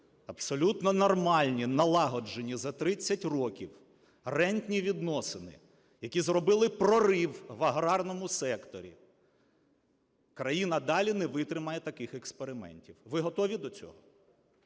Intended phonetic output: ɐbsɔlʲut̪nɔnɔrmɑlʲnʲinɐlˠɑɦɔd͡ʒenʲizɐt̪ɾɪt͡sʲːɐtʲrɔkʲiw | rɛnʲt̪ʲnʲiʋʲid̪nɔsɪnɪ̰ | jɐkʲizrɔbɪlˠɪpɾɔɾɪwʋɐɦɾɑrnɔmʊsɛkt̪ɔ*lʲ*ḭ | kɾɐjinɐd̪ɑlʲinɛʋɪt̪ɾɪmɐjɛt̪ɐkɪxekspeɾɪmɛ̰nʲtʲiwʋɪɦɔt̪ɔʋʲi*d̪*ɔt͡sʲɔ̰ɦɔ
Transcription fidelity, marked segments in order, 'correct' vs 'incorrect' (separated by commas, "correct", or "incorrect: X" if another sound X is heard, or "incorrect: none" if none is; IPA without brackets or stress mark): incorrect: ɾʲ, correct